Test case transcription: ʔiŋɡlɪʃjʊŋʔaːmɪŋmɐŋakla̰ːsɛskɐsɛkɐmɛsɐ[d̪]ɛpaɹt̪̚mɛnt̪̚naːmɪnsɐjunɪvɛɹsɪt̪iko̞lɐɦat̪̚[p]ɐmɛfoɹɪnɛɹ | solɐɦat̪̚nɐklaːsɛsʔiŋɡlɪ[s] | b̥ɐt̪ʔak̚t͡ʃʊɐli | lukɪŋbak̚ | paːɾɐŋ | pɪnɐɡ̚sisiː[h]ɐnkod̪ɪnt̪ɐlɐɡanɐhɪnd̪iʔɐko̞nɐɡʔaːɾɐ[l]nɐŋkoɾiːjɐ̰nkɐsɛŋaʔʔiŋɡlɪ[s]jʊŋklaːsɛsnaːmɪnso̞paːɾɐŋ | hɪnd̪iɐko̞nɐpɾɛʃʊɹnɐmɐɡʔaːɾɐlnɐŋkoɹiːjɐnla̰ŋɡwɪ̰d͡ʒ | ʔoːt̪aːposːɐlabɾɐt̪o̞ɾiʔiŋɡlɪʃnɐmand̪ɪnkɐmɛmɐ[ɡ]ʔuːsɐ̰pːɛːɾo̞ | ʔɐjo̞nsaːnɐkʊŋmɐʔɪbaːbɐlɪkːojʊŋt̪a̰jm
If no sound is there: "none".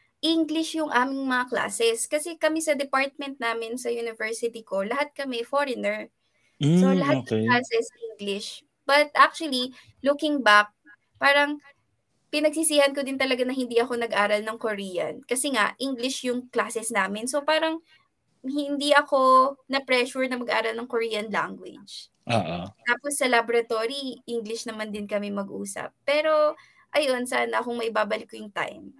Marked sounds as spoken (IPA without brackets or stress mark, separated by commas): d̪, k, ʃ, h, l, ʃ, ɡ